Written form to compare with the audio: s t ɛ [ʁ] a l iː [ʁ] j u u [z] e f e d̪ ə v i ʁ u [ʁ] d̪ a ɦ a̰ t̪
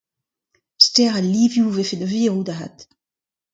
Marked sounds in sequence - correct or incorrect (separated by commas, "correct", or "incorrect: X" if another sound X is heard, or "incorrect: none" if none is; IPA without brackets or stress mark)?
correct, incorrect: v, incorrect: v, incorrect: none